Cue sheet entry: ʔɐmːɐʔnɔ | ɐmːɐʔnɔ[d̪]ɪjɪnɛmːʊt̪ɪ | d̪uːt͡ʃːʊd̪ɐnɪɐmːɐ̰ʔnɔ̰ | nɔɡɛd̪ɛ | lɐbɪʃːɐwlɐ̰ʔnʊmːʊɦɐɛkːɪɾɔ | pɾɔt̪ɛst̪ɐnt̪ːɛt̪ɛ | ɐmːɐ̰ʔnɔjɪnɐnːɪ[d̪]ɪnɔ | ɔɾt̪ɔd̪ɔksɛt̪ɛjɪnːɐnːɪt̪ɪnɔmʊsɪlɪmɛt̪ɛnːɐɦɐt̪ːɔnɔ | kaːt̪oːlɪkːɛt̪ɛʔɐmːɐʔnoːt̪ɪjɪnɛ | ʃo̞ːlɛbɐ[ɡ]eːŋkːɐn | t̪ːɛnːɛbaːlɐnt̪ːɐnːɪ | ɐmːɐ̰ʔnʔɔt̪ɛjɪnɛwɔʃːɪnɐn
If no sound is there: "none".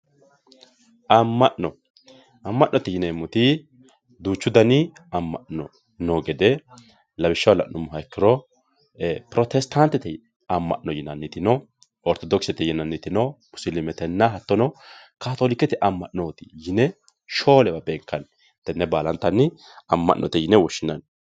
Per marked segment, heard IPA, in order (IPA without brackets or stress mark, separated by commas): t̪, t̪, b